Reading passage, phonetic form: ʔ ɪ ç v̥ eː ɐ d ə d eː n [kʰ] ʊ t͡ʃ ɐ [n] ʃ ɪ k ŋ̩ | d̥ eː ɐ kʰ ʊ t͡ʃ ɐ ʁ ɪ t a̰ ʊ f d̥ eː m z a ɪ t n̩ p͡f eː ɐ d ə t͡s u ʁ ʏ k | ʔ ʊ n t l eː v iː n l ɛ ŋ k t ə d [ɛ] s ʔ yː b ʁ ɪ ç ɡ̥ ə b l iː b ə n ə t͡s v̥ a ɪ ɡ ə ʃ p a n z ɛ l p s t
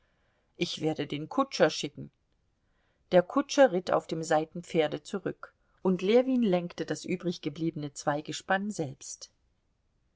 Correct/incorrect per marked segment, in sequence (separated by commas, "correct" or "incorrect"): correct, incorrect, incorrect